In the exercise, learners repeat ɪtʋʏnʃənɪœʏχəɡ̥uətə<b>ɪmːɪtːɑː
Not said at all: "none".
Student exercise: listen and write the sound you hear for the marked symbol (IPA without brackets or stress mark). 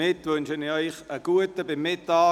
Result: b